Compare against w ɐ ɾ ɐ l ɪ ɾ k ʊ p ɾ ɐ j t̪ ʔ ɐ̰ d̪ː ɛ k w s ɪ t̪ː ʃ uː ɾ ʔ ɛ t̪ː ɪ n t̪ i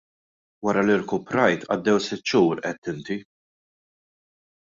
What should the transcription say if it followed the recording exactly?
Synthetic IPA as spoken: w ɐ ɾ ɐ l ɪ ɾ k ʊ p ɾ ɐ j t̪ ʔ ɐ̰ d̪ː ɛ w s ɪ t̪ː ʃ uː ɾ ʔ ɛ t̪ː ɪ n t̪ i